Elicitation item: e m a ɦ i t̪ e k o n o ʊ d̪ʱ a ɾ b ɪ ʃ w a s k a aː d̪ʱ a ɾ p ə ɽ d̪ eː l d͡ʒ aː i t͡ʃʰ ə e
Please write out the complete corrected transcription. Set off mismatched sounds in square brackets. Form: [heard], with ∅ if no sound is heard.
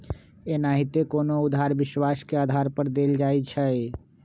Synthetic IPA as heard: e [n] a ɦ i t̪ e k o n o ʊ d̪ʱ a ɾ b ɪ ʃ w a s k [e] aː d̪ʱ a ɾ p ə [ɾ] d̪ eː l d͡ʒ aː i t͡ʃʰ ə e